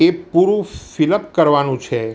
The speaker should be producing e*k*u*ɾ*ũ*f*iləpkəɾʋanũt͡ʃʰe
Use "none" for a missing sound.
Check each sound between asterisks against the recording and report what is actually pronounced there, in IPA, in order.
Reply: p, ɾ, f

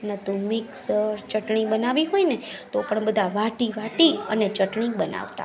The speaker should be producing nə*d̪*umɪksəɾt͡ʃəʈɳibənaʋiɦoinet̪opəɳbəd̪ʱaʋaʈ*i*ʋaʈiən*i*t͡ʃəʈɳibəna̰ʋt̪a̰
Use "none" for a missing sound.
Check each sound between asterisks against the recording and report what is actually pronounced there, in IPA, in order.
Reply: t̪, i, e

